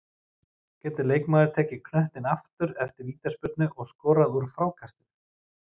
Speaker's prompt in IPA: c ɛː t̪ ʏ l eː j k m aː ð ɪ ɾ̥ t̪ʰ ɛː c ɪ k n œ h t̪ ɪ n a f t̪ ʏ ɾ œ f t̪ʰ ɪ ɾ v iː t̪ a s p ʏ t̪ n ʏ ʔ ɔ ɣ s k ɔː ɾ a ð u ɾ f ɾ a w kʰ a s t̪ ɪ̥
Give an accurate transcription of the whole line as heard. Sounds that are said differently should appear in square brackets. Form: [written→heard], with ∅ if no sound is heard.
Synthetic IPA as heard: c ɛː t̪ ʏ l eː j k m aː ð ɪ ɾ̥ t̪ʰ ɛː c ɪ [k→kʰ] n œ h t̪ ɪ n a f t̪ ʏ ɾ [œ→ɛ] f [t̪ʰ→t̪] ɪ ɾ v iː t̪ a s p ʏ t̪ n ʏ ʔ ɔ ɣ s k ɔː ɾ a ð u ɾ f ɾ a w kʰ a s t̪ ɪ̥